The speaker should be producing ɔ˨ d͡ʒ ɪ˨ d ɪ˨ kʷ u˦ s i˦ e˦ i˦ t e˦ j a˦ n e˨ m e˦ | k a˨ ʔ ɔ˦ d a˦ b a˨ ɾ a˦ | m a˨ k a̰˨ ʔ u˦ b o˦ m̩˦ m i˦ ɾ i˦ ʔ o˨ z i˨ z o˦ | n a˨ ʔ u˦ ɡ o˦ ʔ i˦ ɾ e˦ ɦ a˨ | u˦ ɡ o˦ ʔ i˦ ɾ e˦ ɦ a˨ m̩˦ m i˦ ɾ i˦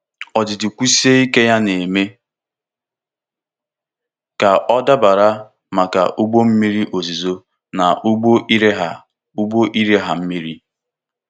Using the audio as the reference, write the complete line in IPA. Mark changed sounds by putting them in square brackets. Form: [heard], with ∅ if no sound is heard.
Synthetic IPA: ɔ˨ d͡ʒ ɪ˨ d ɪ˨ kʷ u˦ s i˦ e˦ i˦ [k] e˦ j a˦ n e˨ m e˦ | k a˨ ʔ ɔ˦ d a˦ b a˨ ɾ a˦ | m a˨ k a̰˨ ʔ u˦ [ɡ͡b] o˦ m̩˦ m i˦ ɾ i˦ ʔ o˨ z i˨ z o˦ | n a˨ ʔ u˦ [ɡ͡b] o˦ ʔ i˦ ɾ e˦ ɦ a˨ | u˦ [ɡ͡b] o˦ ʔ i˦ ɾ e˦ ɦ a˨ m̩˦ m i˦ ɾ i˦